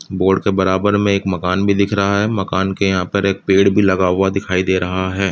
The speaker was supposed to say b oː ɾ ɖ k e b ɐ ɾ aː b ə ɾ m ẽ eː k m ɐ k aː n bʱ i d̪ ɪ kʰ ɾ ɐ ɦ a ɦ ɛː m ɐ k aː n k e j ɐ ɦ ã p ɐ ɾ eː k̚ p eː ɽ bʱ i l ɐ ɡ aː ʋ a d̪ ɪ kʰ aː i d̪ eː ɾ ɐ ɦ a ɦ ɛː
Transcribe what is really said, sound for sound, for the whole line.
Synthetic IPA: b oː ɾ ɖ k e b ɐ ɾ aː b ə ɾ m ẽ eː k m ɐ k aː n bʱ i d̪ ɪ kʰ ɾ ɐ ɦ a ɦ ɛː m ɐ k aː n k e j ɐ ɦ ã p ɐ ɾ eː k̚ p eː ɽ bʱ i l ɐ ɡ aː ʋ a d̪ ɪ kʰ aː i d̪ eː ɾ ɐ ɦ a ɦ ɛː